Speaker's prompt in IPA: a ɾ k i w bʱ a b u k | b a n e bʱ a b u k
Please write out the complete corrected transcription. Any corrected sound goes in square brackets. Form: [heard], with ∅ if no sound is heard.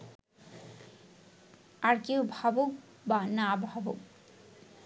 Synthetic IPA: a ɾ k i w bʱ a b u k | b a n [a] bʱ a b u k

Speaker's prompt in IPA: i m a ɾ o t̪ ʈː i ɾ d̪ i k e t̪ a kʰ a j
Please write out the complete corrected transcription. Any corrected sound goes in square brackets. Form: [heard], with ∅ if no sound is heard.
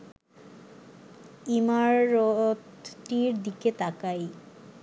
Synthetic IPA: i m a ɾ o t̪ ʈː i ɾ d̪ i k e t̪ a [k] a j

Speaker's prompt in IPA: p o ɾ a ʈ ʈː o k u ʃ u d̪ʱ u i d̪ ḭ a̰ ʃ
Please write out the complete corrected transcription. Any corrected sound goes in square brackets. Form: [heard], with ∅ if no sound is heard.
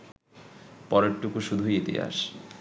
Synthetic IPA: p [ɔ] ɾ [e] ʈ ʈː [u] k u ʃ u d̪ʱ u i [t̪] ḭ a̰ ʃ

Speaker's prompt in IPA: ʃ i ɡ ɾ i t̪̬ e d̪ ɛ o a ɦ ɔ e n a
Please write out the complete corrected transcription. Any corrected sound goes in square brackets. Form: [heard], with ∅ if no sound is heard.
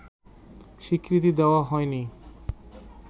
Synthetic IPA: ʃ i [k] ɾ i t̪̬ [i] d̪ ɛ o a ɦ ɔ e n [i]

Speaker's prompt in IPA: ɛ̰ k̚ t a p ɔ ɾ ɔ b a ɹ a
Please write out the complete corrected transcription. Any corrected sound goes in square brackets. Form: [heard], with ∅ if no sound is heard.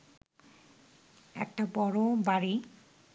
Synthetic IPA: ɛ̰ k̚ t a [b] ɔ [ɹ] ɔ b a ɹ [i]

